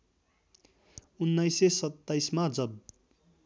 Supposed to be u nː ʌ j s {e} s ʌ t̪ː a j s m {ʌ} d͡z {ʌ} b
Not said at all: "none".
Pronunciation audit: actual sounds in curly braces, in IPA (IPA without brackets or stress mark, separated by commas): e, a, ʌ